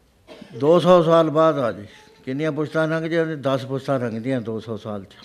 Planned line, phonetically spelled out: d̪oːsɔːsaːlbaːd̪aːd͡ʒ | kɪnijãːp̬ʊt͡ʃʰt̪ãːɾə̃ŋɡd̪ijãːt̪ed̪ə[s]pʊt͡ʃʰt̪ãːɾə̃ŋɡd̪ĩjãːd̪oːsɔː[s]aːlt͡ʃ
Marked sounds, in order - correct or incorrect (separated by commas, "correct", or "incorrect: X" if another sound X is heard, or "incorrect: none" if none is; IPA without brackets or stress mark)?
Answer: correct, correct